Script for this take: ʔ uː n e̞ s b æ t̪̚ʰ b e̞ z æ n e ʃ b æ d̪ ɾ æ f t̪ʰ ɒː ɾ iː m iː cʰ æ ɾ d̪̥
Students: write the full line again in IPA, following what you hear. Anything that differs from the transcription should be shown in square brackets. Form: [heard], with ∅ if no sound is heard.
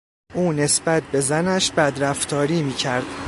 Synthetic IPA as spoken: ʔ uː n e̞ s b æ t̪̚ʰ b e̞ z æ n [æ] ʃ b æ d̪ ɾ æ f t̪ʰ ɒː ɾ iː m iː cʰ æ ɾ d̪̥